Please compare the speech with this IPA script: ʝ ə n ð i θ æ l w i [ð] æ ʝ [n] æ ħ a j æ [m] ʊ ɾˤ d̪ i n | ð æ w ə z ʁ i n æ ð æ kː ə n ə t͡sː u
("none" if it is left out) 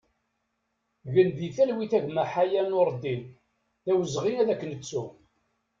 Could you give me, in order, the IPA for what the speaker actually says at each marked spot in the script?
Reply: θ, m, n

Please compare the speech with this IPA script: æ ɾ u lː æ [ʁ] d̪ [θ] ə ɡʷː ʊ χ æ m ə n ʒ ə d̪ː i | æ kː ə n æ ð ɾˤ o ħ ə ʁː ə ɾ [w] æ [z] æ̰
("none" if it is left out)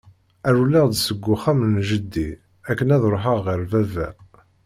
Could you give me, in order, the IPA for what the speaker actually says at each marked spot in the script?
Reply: ʁ, s, v, v

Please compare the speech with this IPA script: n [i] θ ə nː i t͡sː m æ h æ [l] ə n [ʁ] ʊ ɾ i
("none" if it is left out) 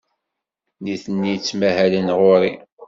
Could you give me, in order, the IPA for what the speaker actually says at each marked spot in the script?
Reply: i, l, ʁ

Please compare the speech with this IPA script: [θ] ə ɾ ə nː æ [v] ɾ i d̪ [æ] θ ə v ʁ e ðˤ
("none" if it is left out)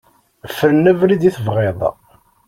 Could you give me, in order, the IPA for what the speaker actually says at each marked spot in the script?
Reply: f, v, i

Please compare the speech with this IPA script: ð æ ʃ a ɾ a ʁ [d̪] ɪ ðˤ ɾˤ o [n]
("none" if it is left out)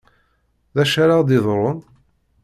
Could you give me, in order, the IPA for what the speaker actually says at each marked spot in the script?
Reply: d̪, n

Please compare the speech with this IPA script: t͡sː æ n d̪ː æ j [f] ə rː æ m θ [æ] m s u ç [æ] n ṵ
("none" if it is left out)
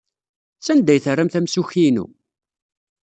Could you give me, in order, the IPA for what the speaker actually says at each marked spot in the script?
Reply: θ, æ, i

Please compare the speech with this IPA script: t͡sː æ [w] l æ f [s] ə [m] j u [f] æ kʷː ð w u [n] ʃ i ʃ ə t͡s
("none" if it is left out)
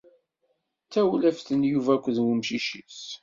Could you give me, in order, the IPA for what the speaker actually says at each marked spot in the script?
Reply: w, θ, n, v, m

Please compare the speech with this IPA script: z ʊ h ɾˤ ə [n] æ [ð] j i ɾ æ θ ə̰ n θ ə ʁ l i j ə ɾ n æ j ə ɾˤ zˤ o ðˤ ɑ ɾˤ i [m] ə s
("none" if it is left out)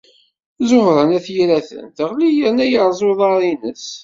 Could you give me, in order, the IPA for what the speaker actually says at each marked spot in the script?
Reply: n, θ, n

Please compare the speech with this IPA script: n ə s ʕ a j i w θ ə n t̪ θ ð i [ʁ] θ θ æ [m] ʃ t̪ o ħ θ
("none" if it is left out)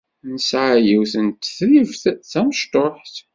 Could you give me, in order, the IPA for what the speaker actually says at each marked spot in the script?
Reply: v, m

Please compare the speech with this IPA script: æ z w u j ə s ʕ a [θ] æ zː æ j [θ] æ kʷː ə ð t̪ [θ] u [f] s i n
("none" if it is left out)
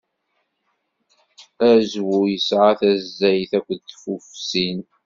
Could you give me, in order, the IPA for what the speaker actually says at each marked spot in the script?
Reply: θ, θ, f, f

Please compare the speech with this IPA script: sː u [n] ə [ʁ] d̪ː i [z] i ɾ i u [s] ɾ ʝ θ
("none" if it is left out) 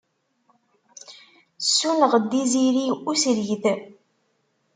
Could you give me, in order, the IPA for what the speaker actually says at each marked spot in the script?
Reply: n, ʁ, z, s

